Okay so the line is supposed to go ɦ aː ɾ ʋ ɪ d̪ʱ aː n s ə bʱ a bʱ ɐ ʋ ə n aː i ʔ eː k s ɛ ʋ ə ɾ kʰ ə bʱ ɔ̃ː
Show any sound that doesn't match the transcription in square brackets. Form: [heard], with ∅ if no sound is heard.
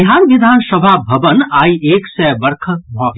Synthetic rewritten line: ɦ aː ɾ ʋ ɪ d̪ʱ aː n s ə bʱ a bʱ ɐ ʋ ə n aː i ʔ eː k s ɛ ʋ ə ɾ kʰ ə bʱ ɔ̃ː